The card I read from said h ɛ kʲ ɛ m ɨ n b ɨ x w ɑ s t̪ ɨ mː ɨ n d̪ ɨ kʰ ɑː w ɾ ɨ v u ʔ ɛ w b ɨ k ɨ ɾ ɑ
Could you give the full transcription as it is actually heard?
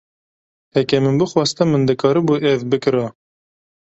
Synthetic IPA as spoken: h ɛ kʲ ɛ m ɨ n b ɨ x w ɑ s t̪ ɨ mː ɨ n d̪ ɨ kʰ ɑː ɾ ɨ b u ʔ ɛ v b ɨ k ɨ ɾ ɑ